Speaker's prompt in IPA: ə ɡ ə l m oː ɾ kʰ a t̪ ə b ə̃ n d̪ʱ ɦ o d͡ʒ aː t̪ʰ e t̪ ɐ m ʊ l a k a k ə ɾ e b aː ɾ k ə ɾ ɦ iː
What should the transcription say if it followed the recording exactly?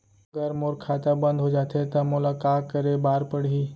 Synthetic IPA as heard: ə ɡ ə ɾ m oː ɾ kʰ a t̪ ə b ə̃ n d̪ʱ ɦ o d͡ʒ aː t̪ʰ e t̪ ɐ m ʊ l a k a k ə ɾ e b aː ɾ p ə ɽ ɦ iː